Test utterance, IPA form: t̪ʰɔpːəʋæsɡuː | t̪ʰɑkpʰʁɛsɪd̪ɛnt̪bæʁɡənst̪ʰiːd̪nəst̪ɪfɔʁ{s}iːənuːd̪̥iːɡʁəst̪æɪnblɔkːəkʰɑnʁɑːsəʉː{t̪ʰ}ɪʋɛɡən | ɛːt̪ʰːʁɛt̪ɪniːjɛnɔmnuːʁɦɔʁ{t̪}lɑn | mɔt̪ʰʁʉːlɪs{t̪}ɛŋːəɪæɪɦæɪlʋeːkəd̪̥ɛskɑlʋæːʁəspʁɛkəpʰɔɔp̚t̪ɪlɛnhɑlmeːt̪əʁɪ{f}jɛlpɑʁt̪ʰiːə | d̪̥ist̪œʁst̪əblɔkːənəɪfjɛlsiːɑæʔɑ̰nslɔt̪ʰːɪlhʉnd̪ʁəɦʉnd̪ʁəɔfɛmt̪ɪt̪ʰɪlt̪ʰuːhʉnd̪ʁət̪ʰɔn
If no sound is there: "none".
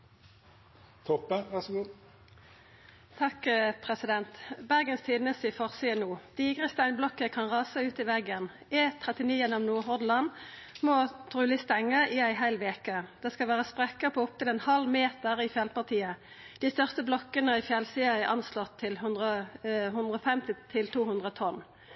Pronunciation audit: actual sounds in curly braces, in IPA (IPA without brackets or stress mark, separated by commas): s, t̪, d̪, t̪, f